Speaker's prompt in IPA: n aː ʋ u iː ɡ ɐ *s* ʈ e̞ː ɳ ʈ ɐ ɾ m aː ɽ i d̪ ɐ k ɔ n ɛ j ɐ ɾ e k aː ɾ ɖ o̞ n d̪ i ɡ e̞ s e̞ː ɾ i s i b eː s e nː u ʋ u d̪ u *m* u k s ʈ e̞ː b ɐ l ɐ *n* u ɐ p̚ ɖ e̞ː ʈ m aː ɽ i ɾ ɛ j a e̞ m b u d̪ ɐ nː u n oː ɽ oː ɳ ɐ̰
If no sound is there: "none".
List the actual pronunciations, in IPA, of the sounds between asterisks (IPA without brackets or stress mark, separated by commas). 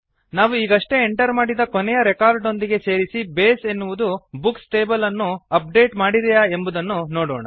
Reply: ʂ, b, nː